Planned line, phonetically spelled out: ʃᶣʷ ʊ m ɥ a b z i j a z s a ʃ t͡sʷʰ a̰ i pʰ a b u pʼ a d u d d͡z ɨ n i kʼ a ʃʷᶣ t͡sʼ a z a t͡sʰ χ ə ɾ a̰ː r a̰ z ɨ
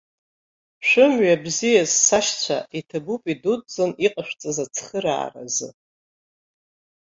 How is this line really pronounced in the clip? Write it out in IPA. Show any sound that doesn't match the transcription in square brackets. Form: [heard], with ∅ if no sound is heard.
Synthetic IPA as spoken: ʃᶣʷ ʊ m ɥ a b z i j a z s a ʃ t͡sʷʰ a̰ i [tʰ] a b u pʼ [i] d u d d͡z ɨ n i [qʼ] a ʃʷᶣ t͡sʼ a z a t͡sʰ χ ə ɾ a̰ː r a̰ z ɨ